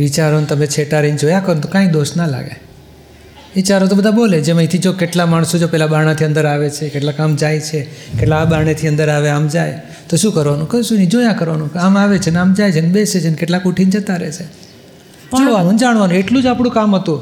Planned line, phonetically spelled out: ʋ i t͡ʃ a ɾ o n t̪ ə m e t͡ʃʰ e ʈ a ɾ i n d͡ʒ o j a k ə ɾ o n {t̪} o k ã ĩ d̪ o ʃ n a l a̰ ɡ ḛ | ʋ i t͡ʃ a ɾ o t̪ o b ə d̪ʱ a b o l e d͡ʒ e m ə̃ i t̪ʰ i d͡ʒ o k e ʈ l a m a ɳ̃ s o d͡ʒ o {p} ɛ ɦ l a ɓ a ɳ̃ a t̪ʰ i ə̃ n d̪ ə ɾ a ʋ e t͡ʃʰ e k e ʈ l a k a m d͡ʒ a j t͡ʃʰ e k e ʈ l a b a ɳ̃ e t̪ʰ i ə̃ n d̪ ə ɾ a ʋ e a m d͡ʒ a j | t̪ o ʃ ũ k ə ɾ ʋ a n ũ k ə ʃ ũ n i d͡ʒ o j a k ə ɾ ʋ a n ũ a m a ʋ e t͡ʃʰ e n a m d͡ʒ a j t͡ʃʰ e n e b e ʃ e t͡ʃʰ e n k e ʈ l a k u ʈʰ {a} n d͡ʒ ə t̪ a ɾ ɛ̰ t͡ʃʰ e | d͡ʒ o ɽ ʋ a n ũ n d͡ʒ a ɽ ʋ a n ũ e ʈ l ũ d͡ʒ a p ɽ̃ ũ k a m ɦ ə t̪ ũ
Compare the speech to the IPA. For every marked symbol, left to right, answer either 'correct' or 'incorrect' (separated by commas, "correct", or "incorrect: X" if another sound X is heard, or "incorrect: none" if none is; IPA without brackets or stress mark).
correct, correct, incorrect: i